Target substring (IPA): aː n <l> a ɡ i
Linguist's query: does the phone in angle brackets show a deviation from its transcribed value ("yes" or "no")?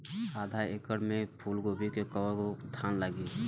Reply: no